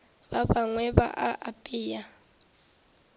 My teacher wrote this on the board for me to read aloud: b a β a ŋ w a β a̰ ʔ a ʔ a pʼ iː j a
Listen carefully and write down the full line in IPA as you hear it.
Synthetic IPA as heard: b a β a ŋ w ɛ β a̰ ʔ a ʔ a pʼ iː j a